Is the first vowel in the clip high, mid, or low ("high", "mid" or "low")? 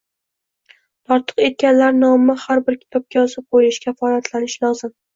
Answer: low